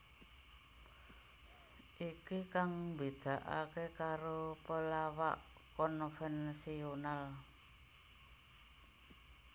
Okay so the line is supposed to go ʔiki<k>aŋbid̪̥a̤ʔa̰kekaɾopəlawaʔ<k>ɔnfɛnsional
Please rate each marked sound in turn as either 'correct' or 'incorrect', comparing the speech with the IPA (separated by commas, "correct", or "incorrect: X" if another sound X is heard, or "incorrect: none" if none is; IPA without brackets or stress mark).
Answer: correct, correct